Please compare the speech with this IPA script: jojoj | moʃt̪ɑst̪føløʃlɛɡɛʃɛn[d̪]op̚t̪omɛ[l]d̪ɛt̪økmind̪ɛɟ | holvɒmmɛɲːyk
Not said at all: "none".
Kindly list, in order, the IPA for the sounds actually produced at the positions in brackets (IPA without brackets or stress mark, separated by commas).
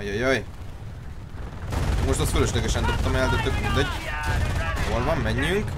d̪, l